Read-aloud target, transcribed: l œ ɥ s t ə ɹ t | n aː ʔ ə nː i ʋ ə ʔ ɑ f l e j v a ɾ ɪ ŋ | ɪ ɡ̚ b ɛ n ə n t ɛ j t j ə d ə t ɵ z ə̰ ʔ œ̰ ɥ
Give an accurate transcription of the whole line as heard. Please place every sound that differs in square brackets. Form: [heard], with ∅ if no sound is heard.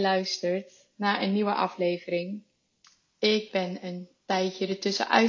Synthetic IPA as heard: l œ ɥ s t ə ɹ t | n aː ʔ ə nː i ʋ ə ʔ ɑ f l e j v [ə] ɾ ɪ ŋ | ɪ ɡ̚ b ɛ n ə n t ɛ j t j ə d ə t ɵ [s] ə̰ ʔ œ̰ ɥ